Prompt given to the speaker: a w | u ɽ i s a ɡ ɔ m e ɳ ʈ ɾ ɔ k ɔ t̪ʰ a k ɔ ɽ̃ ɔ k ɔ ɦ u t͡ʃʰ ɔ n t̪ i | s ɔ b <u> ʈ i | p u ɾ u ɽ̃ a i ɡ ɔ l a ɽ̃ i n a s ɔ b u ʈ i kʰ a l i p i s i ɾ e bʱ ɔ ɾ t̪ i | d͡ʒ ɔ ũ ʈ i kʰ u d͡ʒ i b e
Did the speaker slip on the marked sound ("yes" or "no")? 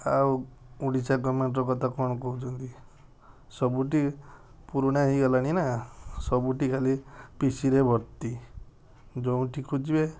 no